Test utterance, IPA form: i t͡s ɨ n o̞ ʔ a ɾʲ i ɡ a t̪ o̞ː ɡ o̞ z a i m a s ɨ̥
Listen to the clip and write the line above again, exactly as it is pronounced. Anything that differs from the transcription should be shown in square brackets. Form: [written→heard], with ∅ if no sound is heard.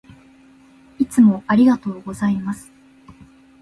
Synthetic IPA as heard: i t͡s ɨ [n→m] o̞ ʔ a ɾʲ i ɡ a t̪ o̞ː ɡ o̞ z a i m a s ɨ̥

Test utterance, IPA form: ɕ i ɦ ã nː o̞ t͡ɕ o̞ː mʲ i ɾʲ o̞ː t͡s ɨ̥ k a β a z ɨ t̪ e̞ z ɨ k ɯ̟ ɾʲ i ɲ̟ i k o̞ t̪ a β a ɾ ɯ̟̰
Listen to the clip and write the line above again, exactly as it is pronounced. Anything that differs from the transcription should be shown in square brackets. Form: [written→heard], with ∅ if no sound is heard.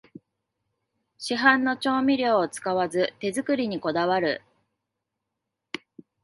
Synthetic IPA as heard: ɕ i ɦ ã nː o̞ t͡ɕ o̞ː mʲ i ɾʲ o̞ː t͡s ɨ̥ k a β a z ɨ t̪ e̞ z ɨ k ɯ̟ ɾʲ i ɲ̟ i k o̞ [t̪→d̪] a β a ɾ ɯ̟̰

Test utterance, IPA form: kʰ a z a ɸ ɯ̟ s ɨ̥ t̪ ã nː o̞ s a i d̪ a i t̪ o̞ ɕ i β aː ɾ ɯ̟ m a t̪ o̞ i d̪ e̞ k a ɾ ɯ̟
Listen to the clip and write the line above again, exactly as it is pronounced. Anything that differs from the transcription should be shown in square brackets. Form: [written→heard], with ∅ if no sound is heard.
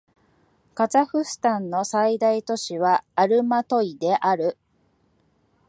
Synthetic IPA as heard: [kʰ→k] a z a ɸ ɯ̟ s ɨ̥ t̪ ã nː o̞ s a i d̪ a i t̪ o̞ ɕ i β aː ɾ ɯ̟ m a t̪ o̞ i d̪ e̞ [k→ʔ] a ɾ ɯ̟

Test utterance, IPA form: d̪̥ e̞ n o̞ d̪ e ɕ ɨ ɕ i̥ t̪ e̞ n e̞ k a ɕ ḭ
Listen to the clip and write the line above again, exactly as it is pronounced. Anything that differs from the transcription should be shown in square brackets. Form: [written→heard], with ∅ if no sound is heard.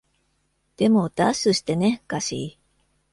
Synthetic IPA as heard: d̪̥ e̞ [n→m] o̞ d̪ [e→a] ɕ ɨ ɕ i̥ t̪ e̞ n e̞ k a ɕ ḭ

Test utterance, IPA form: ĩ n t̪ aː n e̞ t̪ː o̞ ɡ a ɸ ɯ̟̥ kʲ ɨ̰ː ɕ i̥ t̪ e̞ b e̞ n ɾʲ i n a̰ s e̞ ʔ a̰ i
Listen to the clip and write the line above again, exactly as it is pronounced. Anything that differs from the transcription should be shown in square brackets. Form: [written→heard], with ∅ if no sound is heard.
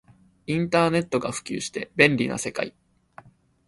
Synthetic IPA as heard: ĩ n t̪ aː n e̞ t̪ː o̞ ɡ a ɸ ɯ̟̥ kʲ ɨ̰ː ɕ i̥ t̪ e̞ b [e̞→ẽ̞] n ɾʲ i n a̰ s e̞ [ʔ→k] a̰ i

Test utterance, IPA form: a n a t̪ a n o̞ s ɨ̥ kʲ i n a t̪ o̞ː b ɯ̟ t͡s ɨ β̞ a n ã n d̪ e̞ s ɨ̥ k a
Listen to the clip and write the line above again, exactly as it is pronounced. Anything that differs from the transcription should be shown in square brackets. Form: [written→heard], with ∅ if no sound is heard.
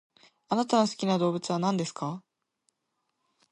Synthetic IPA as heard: a n a t̪ a n o̞ s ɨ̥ kʲ i n a [t̪→d̪] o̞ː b ɯ̟ t͡s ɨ β̞ a n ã n d̪ e̞ s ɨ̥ k a

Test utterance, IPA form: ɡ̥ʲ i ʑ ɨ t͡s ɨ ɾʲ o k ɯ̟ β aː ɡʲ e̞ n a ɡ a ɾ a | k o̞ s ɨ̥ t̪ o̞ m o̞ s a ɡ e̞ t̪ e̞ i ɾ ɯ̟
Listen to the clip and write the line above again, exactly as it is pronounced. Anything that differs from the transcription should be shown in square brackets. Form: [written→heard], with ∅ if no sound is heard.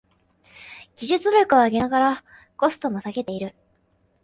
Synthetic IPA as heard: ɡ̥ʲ i ʑ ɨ t͡s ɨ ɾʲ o k ɯ̟ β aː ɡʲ e̞ n a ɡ a ɾ a | k o̞ s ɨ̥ t̪ o̞ m o̞ s a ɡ e̞ t̪ e̞ i ɾ ɯ̟

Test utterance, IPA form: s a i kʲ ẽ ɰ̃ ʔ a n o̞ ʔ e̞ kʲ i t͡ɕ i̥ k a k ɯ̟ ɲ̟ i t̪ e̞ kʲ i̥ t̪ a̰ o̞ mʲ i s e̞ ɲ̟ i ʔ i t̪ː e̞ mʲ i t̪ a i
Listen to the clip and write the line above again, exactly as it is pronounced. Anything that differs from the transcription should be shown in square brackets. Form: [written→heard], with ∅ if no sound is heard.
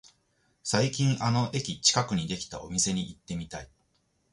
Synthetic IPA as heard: s a i kʲ [ẽ→ĩ] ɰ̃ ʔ a n o̞ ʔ e̞ kʲ i t͡ɕ i̥ k a k ɯ̟ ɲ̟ i [t̪→d̪] e̞ kʲ i̥ t̪ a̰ o̞ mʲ i s e̞ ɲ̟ i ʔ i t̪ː e̞ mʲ i t̪ a i

